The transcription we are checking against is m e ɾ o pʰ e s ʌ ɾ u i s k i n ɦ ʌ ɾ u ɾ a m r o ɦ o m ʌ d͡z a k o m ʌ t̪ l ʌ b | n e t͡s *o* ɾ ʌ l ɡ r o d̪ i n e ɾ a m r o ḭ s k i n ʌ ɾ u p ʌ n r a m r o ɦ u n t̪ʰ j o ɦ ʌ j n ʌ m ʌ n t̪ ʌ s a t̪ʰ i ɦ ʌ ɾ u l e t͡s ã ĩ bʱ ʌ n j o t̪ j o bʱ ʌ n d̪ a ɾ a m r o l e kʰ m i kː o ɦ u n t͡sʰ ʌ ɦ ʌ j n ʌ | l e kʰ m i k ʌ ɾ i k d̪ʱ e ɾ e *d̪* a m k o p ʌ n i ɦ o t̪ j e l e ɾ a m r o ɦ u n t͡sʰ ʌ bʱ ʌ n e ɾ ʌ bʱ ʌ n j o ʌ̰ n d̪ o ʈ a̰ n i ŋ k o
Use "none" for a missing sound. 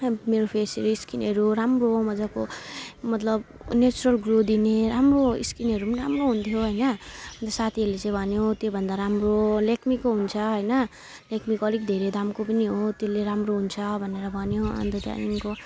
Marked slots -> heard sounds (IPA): u, d̪

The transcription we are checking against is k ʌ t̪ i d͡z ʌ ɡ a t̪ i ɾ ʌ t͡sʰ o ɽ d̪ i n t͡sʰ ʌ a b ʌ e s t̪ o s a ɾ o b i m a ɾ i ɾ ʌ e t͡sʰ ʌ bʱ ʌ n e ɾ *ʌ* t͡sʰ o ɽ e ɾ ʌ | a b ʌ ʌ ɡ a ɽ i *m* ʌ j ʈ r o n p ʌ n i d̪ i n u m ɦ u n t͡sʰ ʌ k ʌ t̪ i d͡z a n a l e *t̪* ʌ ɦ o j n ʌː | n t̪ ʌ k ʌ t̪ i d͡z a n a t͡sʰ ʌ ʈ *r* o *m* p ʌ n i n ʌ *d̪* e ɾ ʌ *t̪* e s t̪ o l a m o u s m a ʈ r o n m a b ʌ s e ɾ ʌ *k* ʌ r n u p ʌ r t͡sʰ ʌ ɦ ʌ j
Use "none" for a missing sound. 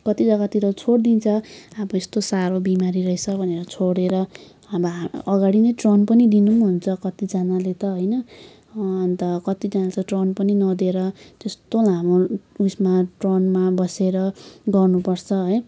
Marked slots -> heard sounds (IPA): ʌ, n, t̪, r, n, d̪, t̪, ɡ

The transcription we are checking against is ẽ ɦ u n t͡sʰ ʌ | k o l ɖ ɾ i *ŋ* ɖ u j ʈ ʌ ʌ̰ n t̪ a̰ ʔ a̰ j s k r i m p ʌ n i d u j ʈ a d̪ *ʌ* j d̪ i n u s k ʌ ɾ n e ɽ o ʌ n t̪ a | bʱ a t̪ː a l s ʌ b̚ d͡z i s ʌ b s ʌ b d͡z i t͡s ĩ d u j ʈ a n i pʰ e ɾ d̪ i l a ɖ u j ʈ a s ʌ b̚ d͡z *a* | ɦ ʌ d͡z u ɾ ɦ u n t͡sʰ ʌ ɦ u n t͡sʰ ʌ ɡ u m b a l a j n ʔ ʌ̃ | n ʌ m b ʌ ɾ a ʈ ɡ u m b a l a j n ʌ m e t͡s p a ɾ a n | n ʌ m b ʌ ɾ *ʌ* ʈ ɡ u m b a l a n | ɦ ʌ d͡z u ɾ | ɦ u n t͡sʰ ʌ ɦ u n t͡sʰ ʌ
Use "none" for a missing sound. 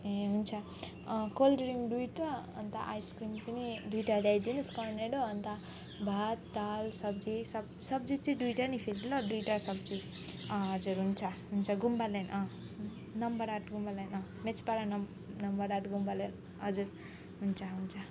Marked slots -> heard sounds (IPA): ŋ, a, i, a

